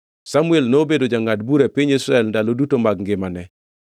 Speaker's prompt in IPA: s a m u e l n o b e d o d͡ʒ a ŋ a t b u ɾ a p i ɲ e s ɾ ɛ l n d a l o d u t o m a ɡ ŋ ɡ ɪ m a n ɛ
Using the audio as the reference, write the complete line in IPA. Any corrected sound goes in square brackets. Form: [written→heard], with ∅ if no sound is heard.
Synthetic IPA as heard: s a m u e l n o b e d o d͡ʒ a ŋ a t b u ɾ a p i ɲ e s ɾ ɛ l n d a l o d u t o m a ɡ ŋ ɡ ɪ m a n ɛ